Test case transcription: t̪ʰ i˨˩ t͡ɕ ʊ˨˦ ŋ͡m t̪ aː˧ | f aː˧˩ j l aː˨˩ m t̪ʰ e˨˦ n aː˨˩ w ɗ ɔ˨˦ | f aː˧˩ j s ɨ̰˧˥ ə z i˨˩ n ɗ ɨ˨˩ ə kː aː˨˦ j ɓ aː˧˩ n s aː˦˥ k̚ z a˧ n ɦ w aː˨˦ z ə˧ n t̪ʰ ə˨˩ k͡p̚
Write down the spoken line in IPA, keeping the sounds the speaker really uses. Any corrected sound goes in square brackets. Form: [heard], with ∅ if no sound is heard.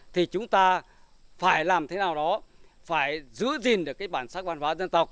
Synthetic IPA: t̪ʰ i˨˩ t͡ɕ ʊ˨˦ ŋ͡m t̪ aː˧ | f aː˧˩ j l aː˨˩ m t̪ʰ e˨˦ n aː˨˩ w ɗ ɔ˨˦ | f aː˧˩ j [z] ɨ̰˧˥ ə z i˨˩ n ɗ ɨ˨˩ ə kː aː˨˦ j ɓ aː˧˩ n s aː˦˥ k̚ [v] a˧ n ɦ w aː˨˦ z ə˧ n [t̪] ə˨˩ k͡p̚